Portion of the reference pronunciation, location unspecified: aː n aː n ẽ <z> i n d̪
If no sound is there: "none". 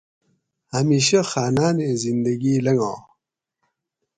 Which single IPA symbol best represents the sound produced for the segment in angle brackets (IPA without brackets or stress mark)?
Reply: z